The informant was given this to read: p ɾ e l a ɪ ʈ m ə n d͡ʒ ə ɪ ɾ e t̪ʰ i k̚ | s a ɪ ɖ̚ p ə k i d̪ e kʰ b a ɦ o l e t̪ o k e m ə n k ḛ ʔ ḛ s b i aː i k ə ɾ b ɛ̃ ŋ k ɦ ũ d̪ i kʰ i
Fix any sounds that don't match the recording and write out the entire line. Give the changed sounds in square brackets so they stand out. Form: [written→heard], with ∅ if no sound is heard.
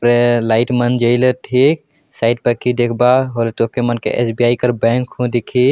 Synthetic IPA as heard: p ɾ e l a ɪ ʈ m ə n d͡ʒ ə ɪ [ɾ→l] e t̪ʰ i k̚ | s a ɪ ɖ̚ p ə k i d̪ e kʰ b a ɦ o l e t̪ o k e m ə n k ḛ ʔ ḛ s b i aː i k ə ɾ b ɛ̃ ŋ k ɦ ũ d̪ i kʰ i

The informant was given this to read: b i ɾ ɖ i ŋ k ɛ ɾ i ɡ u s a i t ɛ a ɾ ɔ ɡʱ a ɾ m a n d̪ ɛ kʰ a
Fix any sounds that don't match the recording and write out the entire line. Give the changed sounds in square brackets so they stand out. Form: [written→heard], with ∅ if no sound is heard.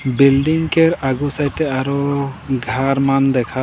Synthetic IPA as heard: b i [ɾ→l] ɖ i ŋ k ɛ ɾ [i→a] ɡ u s a [i→j] t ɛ a ɾ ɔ ɡʱ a ɾ m a n d̪ ɛ kʰ a

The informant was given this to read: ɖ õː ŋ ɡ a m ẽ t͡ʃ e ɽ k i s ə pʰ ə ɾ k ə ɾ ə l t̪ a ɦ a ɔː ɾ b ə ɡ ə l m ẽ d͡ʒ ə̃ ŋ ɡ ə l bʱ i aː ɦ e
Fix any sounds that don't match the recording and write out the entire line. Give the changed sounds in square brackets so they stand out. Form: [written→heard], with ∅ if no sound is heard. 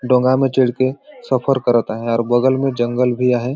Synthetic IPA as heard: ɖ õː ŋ ɡ a m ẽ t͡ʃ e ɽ k [i→e] s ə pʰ ə ɾ k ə ɾ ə [l→∅] t̪ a ɦ [a→ɛ] ɔː ɾ b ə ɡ ə l m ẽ d͡ʒ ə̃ ŋ ɡ ə l bʱ i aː ɦ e

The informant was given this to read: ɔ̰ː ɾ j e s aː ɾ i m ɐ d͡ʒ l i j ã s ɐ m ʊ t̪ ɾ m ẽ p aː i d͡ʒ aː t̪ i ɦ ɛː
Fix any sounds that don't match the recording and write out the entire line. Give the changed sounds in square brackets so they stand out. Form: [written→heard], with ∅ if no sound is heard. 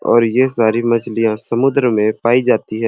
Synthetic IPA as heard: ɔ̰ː ɾ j e s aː ɾ i m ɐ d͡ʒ l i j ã s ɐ m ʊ [t̪→d̪] ɾ m ẽ p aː i d͡ʒ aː t̪ i ɦ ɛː

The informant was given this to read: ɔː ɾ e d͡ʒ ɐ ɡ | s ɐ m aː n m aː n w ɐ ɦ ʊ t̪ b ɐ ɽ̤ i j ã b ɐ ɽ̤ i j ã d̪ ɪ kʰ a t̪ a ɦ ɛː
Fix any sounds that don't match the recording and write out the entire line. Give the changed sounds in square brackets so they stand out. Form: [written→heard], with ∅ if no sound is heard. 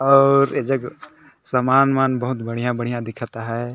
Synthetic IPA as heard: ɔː ɾ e d͡ʒ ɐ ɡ | s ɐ m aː n m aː n [w→b] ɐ ɦ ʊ t̪ b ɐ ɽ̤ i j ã b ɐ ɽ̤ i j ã d̪ ɪ kʰ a t̪ a ɦ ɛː

